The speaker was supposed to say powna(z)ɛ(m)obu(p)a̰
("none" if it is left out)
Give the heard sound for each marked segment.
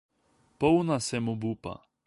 s, m, p

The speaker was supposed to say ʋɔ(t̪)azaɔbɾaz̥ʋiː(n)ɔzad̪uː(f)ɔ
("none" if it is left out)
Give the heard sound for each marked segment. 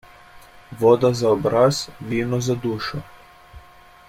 d̪, n, ʃ

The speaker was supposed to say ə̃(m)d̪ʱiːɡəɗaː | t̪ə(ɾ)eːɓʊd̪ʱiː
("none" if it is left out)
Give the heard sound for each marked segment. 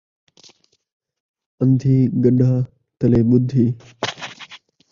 n, l

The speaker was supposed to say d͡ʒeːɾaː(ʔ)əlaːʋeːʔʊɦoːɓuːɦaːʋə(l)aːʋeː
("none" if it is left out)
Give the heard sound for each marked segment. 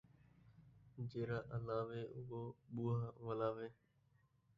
ʔ, l

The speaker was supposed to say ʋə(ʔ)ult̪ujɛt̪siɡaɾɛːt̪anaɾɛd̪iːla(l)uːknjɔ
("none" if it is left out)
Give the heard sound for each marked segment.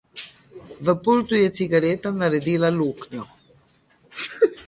p, l

